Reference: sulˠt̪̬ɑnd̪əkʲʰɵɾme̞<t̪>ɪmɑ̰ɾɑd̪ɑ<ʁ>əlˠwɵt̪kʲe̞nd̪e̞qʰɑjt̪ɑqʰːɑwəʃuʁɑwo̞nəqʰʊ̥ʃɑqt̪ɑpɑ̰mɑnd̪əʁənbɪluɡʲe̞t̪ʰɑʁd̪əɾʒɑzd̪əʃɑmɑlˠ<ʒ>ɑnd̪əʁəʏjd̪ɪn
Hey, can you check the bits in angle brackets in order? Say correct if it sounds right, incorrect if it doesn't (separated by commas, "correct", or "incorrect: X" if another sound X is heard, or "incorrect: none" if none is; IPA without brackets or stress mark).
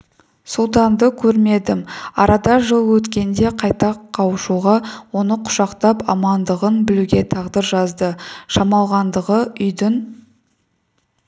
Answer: incorrect: d̪, incorrect: ʒ, incorrect: ʁ